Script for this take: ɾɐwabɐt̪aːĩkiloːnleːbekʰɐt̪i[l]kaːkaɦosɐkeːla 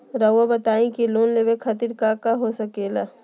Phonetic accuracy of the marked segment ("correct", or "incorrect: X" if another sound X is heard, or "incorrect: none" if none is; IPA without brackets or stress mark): incorrect: ɾ